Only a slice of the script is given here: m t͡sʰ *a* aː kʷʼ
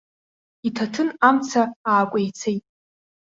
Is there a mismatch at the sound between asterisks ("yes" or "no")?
no